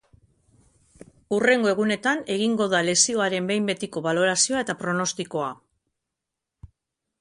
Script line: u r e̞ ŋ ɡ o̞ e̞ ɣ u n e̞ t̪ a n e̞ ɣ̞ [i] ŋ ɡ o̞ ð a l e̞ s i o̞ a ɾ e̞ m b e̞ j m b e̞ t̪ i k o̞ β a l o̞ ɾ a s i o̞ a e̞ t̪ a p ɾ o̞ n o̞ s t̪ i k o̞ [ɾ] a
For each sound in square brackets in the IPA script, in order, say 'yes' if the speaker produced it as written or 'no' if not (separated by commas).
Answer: yes, no